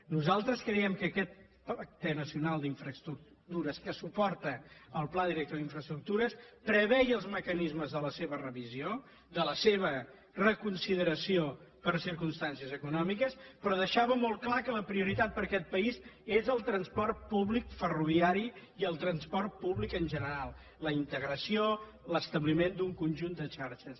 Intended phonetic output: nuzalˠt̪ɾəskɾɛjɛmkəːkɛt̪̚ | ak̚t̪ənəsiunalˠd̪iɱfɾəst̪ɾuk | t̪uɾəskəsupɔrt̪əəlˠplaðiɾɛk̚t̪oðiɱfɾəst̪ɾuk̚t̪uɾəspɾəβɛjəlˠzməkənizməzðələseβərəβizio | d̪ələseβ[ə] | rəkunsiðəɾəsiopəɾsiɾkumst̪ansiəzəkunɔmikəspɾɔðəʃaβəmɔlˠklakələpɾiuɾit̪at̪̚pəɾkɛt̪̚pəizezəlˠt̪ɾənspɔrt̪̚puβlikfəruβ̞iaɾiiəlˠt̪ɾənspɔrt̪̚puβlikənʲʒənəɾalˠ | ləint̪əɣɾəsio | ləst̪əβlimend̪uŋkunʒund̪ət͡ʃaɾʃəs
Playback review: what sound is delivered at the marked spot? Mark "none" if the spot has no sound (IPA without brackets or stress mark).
ə